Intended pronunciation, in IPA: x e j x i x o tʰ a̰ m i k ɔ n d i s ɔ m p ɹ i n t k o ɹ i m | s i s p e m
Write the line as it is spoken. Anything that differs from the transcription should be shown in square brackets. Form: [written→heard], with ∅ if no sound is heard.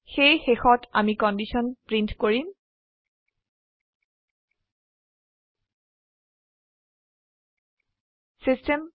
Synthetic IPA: x e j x [i→e] x [o→ɔ] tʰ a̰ m i k ɔ n d i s ɔ [m→n] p ɹ i n t k o ɹ i m | s i s [p→t] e m